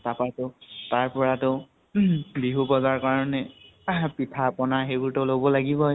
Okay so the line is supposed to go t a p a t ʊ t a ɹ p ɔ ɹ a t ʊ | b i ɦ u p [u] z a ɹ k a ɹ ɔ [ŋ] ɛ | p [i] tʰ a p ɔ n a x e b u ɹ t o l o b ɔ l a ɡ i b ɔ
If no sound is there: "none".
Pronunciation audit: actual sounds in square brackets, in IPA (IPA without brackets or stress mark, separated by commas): ɔ, n, i